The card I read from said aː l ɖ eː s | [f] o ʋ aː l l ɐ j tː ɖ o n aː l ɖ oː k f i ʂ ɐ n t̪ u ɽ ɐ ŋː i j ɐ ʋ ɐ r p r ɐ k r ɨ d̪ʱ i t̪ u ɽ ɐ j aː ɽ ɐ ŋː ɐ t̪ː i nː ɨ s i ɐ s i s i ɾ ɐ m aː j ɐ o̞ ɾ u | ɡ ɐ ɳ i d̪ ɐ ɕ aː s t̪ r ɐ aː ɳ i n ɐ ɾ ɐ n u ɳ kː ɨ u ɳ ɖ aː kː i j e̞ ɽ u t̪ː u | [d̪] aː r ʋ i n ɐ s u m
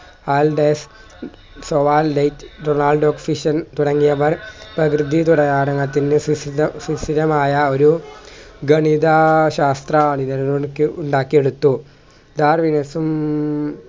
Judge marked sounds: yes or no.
no, yes

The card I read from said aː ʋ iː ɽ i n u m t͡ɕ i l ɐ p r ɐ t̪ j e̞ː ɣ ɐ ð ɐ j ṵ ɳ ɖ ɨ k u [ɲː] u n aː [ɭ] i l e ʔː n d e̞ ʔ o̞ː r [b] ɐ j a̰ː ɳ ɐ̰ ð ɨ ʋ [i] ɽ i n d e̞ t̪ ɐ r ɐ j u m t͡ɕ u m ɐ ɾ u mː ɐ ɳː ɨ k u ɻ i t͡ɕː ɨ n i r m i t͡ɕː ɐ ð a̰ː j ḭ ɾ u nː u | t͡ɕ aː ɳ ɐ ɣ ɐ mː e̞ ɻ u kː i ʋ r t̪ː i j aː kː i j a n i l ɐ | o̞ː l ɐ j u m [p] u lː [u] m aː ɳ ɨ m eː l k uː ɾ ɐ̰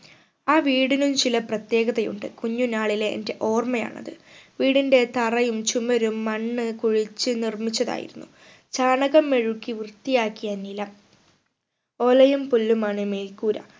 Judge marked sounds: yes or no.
yes, yes, no, no, yes, yes

